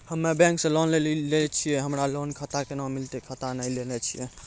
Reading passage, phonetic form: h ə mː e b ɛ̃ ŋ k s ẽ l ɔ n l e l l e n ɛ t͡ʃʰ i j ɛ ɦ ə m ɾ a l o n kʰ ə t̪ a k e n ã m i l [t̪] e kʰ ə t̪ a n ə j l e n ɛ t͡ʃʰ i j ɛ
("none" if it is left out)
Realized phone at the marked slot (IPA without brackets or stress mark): t̪